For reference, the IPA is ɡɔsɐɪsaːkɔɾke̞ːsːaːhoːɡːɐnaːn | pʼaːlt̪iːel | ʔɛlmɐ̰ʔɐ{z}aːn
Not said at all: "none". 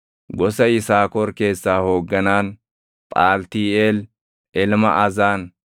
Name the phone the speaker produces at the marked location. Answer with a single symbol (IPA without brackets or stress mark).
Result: z